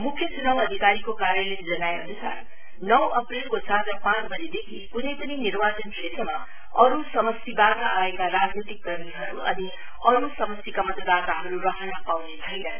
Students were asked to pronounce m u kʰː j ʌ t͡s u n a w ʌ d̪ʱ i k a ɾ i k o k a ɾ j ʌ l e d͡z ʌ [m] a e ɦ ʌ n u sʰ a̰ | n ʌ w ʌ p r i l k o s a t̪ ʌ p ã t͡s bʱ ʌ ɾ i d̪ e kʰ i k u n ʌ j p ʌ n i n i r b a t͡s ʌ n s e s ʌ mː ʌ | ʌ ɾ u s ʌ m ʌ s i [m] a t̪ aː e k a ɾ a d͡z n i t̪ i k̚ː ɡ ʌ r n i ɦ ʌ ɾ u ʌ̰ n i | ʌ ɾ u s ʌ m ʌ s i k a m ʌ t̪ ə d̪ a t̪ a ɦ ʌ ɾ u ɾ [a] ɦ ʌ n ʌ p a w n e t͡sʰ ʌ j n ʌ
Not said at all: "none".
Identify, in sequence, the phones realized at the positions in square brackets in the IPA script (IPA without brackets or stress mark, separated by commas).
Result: n, b, ʌ